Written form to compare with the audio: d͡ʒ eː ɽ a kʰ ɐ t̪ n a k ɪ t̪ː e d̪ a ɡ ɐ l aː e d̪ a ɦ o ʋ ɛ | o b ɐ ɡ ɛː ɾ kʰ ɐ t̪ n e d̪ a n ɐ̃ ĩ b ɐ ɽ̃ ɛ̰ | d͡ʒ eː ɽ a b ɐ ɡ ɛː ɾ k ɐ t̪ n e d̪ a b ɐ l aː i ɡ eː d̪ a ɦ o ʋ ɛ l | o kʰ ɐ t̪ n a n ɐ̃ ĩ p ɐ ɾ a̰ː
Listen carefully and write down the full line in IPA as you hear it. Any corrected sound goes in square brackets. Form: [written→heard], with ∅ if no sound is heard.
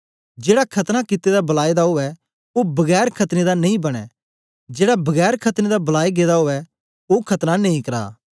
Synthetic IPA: d͡ʒ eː ɽ a kʰ ɐ t̪ n a k ɪ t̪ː e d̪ a [ɡ→b] ɐ l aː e d̪ a ɦ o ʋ ɛ | o b ɐ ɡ ɛː ɾ kʰ ɐ t̪ n e d̪ a n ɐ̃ ĩ b ɐ ɽ̃ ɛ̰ | d͡ʒ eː ɽ a b ɐ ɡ ɛː ɾ [k→kʰ] ɐ t̪ n e d̪ a b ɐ l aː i ɡ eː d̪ a ɦ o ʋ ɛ [l→∅] | o kʰ ɐ t̪ n a n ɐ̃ ĩ [p→k] ɐ ɾ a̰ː